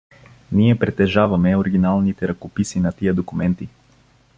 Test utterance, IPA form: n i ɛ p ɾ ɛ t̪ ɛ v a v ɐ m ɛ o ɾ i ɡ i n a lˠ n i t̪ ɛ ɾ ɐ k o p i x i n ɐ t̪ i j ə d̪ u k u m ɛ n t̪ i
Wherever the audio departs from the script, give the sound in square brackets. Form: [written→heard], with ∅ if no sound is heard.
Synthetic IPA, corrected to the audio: n i ɛ p ɾ ɛ t̪ ɛ [v→ʒ] a v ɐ m ɛ o ɾ i ɡ i n a lˠ n i t̪ ɛ ɾ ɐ k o p i [x→s] i n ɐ t̪ i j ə d̪ [u→o] k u m ɛ n t̪ i